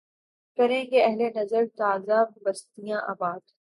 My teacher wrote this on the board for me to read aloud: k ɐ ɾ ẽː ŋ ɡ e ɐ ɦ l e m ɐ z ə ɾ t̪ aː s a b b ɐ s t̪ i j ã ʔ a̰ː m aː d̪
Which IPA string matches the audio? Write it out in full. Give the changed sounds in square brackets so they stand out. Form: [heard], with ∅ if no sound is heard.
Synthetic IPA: k ɐ ɾ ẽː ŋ ɡ e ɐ ɦ l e [n] ɐ z ə ɾ t̪ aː [z] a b b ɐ s t̪ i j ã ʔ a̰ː [b] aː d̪

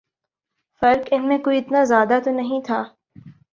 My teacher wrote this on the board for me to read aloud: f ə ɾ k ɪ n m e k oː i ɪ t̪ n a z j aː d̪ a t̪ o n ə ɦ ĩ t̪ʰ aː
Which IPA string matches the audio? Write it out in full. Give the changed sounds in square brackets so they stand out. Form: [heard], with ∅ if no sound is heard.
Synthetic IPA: f [ɐ] ɾ k ɪ n m [ẽ] k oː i ɪ t̪ n a z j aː d̪ a t̪ o n [ɐ] ɦ ĩ t̪ʰ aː

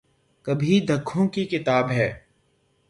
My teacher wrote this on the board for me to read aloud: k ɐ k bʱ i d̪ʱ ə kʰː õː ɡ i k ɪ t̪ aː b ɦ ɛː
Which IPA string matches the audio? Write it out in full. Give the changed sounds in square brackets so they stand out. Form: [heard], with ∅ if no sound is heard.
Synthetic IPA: k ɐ [∅] bʱ i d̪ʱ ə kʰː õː [k] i k ɪ t̪ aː b ɦ ɛː

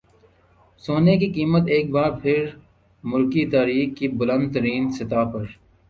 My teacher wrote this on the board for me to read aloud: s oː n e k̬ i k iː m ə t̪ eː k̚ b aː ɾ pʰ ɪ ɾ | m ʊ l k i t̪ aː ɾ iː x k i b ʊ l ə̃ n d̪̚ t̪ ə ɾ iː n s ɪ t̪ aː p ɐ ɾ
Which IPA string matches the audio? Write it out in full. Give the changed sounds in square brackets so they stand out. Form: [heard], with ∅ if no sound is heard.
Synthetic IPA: s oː n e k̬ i k iː m ə t̪ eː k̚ b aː ɾ pʰ ɪ ɾ | m ʊ l k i t̪ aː ɾ iː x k i b ʊ l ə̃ n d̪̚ t̪ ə ɾ iː n s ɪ t̪ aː p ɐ ɾ

